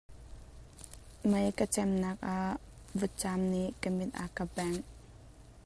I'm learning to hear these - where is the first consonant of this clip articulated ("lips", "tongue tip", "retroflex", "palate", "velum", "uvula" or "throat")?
lips